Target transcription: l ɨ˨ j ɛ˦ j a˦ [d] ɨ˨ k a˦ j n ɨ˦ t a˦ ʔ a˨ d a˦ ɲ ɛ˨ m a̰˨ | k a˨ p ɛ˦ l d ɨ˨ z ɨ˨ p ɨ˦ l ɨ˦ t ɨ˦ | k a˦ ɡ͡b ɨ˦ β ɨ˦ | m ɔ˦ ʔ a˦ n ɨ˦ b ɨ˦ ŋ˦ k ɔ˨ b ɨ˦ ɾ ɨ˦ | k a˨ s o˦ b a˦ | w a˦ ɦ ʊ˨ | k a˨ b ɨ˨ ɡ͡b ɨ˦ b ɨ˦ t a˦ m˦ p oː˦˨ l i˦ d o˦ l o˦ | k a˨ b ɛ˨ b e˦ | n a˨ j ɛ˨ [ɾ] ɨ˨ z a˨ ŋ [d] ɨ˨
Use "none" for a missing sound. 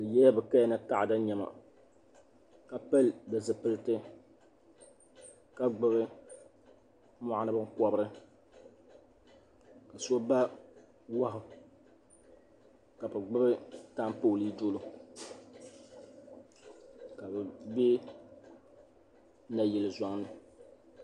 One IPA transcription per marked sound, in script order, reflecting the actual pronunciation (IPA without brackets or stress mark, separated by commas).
b, l, n